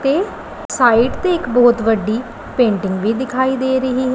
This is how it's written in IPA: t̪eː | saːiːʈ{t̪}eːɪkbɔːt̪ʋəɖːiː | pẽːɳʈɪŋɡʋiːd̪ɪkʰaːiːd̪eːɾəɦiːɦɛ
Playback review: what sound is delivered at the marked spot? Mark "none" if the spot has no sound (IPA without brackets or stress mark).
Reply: t̪